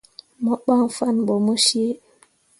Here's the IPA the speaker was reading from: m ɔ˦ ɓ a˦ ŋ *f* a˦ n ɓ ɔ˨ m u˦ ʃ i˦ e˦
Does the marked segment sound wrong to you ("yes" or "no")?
no